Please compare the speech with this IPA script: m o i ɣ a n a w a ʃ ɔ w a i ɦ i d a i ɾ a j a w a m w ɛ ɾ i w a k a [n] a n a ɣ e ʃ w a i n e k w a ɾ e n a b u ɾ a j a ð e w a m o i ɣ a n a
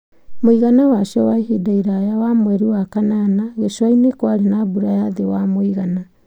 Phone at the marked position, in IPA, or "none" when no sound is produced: n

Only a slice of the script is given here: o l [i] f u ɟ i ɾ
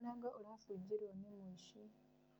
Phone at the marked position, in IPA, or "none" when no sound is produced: a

